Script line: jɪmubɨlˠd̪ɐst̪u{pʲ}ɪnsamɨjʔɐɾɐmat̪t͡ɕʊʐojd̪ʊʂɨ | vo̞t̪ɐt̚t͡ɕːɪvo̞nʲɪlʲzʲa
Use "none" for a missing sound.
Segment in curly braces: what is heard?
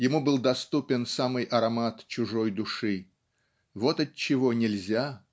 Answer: pʲ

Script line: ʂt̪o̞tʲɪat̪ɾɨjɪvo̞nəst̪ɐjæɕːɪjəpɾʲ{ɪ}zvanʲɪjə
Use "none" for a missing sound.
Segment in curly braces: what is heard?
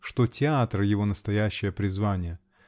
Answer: ɪ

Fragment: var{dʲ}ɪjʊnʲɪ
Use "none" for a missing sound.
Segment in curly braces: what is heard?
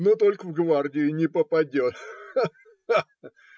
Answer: dʲ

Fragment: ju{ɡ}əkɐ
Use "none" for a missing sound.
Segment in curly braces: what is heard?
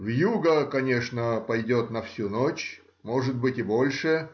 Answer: ɡ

